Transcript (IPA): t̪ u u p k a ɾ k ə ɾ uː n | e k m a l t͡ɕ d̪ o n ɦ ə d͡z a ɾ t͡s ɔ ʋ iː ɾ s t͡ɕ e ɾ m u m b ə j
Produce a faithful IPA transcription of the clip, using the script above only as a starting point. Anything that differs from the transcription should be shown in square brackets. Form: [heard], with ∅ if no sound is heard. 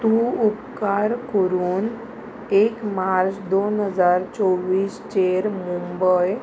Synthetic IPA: t̪ u u p k a ɾ k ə ɾ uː n | e k m a [ɾ] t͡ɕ d̪ o n ɦ ə d͡z a ɾ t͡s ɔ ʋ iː [∅] s t͡ɕ e ɾ m u m b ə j